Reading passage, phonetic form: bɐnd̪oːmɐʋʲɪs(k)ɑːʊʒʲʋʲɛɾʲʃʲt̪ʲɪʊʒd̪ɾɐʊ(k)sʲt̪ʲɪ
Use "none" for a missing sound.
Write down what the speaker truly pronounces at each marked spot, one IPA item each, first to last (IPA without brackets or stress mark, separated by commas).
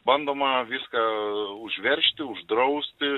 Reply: k, none